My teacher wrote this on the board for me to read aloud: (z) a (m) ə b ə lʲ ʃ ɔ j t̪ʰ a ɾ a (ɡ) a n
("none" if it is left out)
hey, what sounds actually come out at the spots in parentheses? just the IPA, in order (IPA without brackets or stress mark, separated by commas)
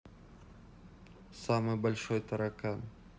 s, m, k